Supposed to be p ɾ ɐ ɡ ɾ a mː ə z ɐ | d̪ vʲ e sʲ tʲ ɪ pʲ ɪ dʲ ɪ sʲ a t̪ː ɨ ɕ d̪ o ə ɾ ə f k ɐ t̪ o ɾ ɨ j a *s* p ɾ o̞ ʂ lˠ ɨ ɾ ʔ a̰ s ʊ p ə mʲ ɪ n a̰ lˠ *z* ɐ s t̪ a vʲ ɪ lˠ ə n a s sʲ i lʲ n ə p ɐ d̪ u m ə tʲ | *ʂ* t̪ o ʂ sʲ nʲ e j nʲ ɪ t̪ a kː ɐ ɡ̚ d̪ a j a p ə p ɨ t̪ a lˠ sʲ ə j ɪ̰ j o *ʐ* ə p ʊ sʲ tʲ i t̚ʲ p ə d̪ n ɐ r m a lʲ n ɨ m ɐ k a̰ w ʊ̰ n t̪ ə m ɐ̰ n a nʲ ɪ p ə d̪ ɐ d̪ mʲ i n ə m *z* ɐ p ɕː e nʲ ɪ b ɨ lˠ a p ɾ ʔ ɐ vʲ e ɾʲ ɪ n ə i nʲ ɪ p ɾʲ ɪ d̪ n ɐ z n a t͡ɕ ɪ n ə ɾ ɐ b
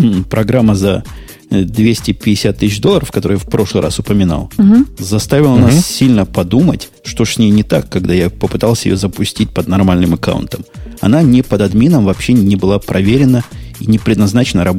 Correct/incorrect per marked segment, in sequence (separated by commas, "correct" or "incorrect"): incorrect, correct, correct, incorrect, incorrect